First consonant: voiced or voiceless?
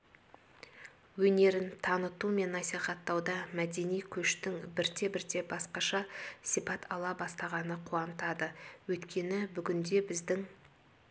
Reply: voiced